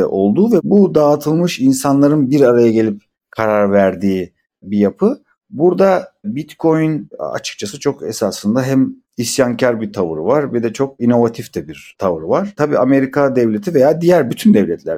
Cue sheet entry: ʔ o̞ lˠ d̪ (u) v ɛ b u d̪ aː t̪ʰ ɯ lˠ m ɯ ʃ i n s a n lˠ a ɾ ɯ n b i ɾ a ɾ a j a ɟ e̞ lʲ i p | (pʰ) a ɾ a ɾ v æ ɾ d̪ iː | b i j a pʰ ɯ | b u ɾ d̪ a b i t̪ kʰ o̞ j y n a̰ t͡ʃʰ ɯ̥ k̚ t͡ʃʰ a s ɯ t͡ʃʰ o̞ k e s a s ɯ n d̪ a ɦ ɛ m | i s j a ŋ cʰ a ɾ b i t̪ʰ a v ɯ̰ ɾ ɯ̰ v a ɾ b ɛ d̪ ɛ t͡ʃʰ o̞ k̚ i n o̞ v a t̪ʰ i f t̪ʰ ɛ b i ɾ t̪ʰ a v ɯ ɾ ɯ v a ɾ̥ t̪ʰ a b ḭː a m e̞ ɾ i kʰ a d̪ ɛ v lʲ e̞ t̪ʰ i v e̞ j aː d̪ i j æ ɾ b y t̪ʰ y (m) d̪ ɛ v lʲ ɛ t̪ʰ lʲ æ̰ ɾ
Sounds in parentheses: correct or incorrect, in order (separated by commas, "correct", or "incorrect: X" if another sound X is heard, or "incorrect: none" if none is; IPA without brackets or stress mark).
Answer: incorrect: uː, incorrect: kʰ, incorrect: n